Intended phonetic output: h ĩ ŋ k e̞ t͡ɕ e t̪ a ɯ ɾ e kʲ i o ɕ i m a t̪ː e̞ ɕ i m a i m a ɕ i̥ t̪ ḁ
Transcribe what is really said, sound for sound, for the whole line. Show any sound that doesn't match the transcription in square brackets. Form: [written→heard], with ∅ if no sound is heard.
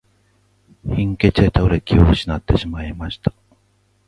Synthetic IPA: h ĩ ŋ k e̞ t͡ɕ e t̪ a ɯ ɾ e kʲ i o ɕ i [m→n] a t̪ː e̞ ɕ i m a i m a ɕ i̥ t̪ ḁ